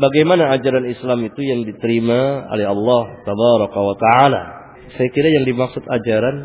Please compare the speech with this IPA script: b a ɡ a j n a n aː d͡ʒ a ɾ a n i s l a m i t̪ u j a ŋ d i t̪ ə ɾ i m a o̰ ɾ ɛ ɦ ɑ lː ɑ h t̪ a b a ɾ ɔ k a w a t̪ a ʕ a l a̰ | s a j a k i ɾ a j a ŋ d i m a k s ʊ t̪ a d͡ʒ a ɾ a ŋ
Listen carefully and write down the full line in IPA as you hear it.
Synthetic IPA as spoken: b a ɡ a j m a n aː d͡ʒ a ɾ a n i s l a m i t̪ u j a ŋ d i t̪ ə ɾ i m a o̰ l ɛ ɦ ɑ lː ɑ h t̪ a b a ɾ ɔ k a w a t̪ a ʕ a l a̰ | s a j a k i ɾ a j a ŋ d i m a k s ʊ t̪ a d͡ʒ a ɾ a n